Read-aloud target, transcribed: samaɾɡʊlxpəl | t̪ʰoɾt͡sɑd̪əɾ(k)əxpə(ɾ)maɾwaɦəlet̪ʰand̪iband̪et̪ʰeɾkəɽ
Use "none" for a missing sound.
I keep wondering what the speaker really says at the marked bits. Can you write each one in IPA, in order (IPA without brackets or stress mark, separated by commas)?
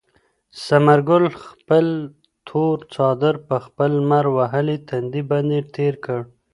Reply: p, l